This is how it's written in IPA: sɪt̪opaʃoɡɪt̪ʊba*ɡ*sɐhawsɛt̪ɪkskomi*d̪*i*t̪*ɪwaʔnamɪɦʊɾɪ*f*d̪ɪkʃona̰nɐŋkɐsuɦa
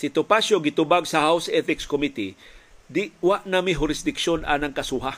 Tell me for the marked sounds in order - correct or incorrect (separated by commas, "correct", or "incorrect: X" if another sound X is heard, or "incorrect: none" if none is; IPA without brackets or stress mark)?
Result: correct, incorrect: t̪, incorrect: d̪, incorrect: s